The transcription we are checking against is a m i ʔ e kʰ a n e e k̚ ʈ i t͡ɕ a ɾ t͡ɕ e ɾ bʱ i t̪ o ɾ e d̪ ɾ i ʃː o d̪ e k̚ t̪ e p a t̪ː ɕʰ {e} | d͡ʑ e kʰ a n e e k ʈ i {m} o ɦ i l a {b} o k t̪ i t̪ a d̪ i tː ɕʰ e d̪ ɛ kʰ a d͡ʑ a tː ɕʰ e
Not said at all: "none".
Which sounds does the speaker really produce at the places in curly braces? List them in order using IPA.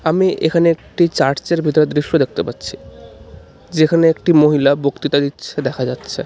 i, m, b

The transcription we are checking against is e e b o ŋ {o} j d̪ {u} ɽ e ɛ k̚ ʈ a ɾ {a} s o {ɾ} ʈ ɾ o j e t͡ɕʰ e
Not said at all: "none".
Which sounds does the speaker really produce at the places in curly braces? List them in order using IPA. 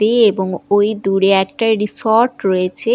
o, u, i, ɾ

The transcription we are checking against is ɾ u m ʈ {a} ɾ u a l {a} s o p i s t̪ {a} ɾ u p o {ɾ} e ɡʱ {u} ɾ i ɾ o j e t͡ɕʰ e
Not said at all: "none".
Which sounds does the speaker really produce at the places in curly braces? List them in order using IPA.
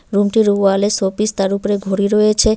i, e, a, ɾ, o

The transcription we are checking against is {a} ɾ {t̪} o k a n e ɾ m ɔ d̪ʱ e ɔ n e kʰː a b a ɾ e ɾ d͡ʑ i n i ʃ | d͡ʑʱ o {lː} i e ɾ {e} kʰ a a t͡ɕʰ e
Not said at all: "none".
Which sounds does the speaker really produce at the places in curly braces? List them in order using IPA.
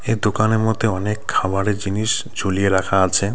e, d̪, l, a

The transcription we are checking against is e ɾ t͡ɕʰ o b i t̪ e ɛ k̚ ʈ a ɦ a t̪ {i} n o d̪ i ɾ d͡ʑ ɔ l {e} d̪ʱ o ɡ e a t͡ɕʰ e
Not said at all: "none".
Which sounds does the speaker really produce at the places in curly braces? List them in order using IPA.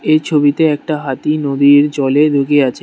i, e

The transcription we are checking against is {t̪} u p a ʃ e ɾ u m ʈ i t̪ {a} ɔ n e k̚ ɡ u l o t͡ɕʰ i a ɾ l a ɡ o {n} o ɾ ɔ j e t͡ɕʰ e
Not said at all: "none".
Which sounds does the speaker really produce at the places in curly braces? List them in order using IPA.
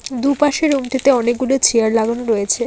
d̪, e, n

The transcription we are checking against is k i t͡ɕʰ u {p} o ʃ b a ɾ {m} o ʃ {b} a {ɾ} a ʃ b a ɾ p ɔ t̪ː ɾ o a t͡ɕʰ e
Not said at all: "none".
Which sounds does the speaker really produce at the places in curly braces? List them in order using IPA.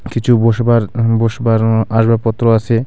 b, b, b, ɾ

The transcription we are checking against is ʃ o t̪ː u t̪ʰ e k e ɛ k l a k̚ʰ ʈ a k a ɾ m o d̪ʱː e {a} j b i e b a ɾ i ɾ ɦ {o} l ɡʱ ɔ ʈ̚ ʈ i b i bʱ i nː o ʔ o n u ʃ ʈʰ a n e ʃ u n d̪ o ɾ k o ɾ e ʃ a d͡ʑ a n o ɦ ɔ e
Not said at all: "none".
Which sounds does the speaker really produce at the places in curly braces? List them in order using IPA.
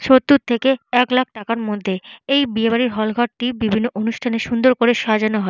e, ɔ

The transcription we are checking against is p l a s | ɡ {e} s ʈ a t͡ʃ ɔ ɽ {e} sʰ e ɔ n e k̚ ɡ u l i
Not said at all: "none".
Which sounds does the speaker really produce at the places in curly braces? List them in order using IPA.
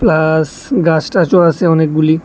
a, a

